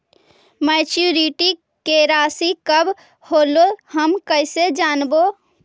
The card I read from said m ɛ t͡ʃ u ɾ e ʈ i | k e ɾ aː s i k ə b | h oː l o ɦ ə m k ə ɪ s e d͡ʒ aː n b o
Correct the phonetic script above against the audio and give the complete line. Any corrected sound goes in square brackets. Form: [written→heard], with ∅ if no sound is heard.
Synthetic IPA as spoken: m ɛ t͡ʃ u ɾ [e→i] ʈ i | k e ɾ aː s i k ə b | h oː l o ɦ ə m k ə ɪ s e d͡ʒ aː n b o